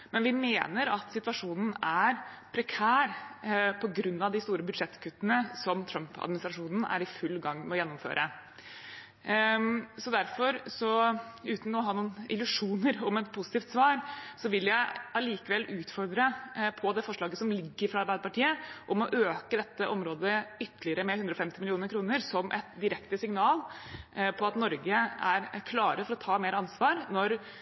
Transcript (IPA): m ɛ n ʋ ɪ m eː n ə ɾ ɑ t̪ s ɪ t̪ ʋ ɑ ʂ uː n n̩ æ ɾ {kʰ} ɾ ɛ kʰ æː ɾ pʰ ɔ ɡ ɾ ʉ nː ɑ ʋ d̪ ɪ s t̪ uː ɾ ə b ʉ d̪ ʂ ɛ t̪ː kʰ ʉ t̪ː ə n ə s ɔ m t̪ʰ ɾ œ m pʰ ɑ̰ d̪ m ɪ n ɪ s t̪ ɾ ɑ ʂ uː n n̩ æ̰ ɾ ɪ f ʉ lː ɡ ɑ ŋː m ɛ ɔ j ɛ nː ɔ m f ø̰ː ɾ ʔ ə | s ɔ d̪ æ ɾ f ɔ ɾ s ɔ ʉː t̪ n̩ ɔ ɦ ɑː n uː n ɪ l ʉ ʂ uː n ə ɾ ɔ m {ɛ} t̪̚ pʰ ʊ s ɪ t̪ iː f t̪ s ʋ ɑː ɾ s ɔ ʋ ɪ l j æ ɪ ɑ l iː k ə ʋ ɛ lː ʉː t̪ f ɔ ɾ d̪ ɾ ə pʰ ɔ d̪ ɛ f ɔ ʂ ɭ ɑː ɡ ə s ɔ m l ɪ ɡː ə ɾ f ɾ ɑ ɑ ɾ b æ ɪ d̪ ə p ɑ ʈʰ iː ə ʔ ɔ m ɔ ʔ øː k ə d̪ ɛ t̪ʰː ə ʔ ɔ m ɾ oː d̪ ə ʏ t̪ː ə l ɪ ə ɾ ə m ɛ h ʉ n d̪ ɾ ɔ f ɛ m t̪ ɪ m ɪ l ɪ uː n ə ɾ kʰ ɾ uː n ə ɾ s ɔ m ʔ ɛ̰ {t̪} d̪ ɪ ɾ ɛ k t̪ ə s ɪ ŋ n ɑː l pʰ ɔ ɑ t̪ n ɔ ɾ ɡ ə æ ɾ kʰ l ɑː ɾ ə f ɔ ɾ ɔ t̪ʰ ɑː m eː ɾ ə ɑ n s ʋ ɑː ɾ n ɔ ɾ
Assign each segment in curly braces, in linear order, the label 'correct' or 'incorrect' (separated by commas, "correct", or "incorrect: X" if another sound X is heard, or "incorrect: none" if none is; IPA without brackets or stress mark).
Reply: incorrect: pʰ, correct, correct